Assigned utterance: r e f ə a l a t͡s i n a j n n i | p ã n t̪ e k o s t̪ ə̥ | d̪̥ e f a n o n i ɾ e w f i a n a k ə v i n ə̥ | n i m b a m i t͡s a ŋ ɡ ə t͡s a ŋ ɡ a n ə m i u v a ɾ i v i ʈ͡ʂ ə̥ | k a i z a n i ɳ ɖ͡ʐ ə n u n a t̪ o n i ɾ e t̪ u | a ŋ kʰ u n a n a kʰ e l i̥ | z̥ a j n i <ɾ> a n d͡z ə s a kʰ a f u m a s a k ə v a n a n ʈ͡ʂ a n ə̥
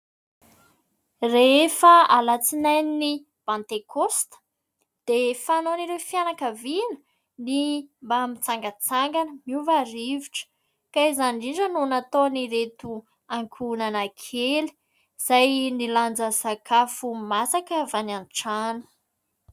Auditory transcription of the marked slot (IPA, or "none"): l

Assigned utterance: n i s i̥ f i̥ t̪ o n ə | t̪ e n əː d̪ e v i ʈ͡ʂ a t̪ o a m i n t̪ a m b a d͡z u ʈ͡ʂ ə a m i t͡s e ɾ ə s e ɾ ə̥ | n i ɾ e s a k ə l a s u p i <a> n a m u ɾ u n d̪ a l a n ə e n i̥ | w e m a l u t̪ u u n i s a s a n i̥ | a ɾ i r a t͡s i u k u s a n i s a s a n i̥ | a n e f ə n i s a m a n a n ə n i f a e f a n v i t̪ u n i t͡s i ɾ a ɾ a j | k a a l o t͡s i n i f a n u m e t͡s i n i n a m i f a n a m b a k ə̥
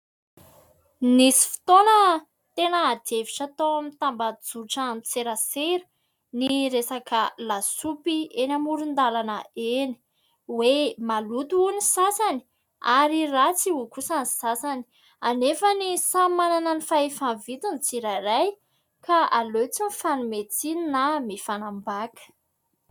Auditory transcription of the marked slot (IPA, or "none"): e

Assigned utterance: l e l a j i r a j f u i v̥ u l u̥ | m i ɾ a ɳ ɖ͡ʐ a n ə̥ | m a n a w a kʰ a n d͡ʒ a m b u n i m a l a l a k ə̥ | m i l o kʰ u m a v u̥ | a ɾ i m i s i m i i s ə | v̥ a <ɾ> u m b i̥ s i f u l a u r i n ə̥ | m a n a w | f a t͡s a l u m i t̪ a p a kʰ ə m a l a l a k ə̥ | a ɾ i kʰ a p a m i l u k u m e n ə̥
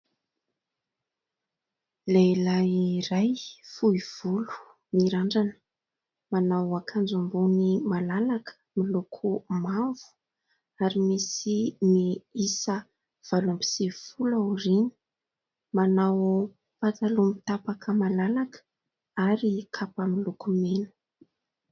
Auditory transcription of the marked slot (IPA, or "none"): l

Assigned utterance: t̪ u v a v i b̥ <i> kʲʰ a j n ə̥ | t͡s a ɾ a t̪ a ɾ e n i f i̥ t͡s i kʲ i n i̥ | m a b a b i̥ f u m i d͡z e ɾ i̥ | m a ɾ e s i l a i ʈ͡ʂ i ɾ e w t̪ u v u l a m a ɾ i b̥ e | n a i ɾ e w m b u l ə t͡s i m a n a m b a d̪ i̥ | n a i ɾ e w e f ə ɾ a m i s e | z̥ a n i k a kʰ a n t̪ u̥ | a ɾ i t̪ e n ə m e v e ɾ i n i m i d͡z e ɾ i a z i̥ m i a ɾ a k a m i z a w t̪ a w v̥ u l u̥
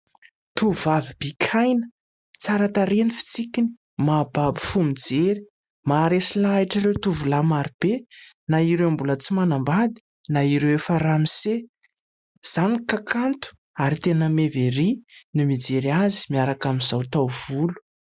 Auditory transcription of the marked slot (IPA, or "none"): i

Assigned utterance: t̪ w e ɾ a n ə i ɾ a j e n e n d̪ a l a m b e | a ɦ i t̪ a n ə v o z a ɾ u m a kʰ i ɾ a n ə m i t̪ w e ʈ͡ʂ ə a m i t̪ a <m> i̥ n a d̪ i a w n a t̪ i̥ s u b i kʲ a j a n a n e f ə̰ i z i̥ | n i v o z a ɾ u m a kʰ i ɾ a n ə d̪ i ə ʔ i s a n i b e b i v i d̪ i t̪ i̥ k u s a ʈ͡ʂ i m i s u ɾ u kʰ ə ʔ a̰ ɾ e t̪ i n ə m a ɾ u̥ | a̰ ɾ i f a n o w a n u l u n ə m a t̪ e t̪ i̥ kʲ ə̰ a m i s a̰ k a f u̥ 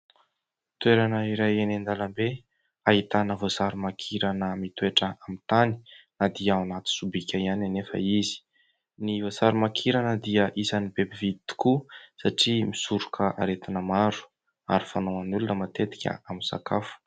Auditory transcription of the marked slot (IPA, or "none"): n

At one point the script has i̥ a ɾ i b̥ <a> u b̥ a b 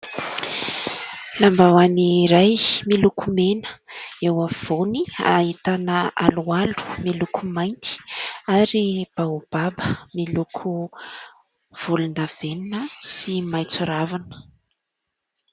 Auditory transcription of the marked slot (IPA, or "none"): a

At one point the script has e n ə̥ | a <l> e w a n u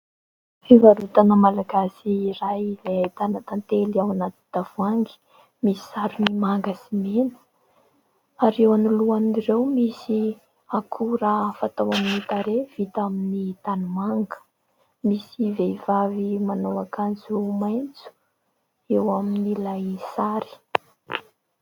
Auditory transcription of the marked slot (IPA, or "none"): ɾ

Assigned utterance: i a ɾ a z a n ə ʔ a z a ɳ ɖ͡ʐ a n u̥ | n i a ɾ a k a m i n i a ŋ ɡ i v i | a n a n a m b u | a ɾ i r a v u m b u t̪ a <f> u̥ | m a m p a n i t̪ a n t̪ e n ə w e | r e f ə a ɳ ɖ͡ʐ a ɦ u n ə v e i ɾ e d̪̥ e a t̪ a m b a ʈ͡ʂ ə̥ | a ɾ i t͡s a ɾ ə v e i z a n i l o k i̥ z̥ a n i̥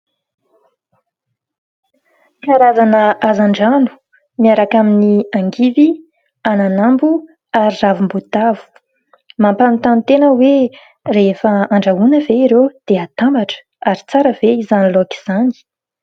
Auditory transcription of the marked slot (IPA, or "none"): v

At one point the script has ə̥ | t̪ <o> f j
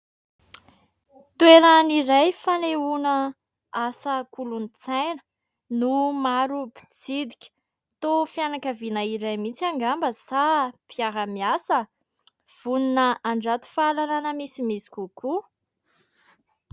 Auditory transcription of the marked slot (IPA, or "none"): o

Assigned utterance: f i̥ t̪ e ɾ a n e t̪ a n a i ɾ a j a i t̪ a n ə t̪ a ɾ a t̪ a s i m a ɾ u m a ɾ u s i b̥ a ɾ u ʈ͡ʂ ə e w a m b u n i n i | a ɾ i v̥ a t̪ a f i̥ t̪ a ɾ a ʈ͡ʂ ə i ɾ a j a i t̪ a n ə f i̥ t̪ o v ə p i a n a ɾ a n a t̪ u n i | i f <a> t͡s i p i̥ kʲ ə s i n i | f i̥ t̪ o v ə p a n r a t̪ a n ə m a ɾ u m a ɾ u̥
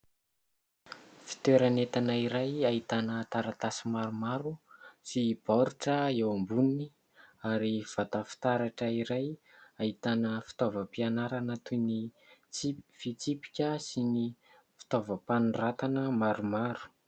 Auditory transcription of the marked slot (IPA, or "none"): i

